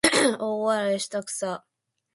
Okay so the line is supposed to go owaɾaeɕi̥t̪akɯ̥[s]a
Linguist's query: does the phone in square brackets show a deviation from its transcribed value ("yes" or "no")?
no